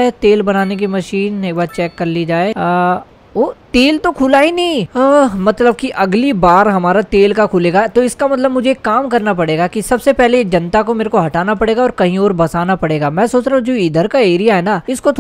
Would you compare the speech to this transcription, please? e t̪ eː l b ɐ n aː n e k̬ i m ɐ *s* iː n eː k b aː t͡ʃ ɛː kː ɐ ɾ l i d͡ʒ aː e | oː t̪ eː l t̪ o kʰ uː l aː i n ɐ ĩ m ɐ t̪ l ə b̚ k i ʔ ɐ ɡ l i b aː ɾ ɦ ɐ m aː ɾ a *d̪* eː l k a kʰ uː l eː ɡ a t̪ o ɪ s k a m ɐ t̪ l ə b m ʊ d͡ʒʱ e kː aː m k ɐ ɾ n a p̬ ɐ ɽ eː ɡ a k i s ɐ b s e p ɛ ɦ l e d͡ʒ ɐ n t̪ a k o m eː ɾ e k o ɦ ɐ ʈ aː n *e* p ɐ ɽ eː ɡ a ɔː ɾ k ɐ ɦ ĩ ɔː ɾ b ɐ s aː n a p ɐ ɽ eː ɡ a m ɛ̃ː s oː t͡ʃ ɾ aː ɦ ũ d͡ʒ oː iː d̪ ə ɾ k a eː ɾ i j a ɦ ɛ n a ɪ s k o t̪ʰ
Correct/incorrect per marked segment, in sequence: incorrect: ʃ, incorrect: t̪, incorrect: a

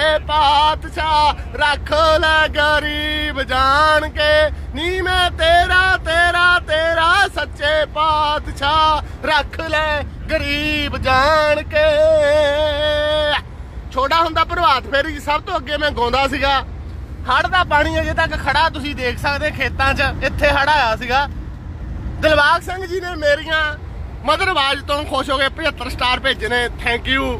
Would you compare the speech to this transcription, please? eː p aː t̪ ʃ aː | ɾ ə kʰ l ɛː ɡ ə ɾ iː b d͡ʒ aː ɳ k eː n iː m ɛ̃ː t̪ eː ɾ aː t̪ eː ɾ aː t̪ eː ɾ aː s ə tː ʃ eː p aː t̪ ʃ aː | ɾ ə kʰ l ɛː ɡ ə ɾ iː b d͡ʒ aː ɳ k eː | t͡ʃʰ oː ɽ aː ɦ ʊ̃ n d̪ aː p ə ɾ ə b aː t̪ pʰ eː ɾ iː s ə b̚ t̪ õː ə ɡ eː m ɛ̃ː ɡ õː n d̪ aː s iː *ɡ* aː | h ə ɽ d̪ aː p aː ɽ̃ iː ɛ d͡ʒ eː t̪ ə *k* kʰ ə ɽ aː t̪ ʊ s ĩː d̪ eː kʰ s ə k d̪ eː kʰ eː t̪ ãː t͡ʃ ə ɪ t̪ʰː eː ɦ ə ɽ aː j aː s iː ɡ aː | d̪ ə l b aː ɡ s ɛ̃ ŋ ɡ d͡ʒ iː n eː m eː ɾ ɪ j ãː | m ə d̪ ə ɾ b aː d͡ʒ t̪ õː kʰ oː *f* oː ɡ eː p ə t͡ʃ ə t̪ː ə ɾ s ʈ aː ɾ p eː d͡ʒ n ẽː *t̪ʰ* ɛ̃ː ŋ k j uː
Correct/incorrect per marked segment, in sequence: correct, correct, incorrect: ʃ, correct

